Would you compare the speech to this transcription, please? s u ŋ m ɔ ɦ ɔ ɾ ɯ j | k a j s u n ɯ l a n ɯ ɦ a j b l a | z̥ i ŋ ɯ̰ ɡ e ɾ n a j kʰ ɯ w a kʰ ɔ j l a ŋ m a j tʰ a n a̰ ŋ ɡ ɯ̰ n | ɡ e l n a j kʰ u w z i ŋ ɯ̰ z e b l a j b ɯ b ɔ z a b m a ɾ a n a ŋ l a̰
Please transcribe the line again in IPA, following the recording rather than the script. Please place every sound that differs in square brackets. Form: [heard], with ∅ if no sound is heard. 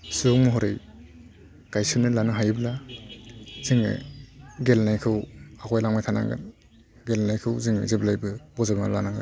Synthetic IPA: s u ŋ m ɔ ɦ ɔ ɾ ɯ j | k a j s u n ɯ l a n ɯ ɦ a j b l a | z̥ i ŋ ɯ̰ ɡ e [l] n a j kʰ ɯ w a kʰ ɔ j l a ŋ m a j tʰ a n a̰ ŋ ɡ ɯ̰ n | ɡ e l n a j kʰ [ɯ] w z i ŋ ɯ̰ z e b l a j b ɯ b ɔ z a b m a [l] a n a ŋ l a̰